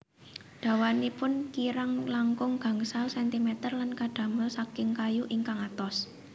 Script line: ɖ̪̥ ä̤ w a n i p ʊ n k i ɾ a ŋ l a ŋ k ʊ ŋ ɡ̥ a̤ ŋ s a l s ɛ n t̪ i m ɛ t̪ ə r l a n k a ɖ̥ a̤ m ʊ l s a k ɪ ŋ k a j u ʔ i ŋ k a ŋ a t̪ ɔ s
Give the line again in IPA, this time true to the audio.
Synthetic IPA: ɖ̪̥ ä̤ w a n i p ʊ n k i ɾ a ŋ l a ŋ k ʊ ŋ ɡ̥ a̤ ŋ s a l s ɛ n t̪ i m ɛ t̪ ə r l a n k a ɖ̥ a̤ m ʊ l s a k ɪ ŋ k a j u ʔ i ŋ k a ŋ a t̪ ɔ s